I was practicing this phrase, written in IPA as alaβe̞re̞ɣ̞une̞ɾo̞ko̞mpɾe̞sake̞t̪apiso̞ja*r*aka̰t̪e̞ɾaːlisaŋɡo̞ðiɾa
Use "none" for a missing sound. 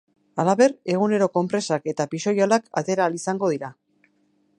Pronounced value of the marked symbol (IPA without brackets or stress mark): l